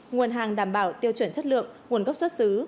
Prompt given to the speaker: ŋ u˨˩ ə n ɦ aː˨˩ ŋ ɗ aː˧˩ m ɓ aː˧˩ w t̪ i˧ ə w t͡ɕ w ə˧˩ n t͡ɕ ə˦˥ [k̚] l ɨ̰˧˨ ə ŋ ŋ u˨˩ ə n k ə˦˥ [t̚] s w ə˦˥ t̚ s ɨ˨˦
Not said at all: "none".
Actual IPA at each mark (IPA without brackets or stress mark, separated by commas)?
t̚, p̚